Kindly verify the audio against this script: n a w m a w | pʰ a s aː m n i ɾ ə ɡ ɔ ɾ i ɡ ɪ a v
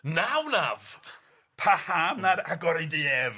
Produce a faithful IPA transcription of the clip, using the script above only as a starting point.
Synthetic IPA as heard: n a w n a v | pʰ a h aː m n a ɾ a ɡ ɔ ɾ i d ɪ ɛ v